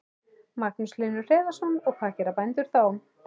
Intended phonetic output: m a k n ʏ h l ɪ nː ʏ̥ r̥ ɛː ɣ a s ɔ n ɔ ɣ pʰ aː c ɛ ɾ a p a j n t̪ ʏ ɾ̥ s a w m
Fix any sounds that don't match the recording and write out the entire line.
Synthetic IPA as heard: m a k n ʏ s l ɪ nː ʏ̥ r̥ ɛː ð a s ɔ n ɔ ɣ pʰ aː c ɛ ɾ a p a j n t̪ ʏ ɾ̥ θ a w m